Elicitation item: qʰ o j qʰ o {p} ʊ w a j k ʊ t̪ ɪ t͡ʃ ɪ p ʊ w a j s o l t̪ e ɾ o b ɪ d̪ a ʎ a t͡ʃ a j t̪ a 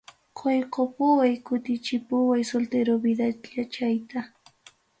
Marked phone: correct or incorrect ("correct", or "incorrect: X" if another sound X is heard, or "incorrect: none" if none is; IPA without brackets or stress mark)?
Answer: correct